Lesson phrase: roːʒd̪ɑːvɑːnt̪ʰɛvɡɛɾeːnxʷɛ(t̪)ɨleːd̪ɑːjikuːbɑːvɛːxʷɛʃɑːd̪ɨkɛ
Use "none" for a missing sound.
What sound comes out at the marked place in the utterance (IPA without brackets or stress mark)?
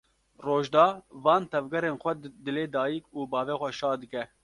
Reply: d̪